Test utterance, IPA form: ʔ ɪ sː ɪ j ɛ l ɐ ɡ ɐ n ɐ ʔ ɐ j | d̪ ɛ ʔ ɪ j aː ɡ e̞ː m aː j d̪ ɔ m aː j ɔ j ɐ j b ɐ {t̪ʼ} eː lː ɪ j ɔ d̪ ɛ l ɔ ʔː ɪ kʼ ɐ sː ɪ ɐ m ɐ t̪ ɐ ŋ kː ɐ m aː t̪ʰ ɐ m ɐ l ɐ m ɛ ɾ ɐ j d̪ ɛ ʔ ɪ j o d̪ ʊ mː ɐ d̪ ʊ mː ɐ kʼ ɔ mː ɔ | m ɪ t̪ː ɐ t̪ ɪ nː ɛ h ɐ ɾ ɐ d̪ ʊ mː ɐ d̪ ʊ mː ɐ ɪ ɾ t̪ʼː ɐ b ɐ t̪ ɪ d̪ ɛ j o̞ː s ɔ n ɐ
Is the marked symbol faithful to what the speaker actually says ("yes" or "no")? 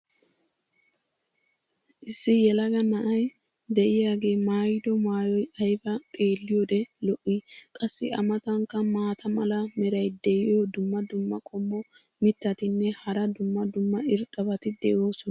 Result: yes